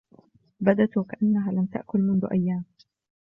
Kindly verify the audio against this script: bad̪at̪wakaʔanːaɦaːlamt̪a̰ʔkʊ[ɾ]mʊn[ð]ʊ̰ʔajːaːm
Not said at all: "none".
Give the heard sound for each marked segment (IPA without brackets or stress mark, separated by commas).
l, ð